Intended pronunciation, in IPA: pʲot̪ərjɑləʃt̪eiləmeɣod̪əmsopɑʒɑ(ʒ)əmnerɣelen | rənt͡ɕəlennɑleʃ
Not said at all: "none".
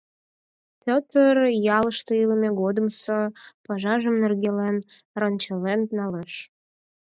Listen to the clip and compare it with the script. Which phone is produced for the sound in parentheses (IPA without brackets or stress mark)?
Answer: ʒ